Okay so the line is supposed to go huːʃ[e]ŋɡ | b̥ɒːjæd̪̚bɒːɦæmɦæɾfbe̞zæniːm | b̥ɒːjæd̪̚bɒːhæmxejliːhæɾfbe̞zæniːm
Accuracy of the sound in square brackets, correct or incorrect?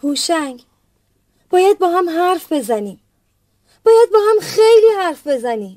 incorrect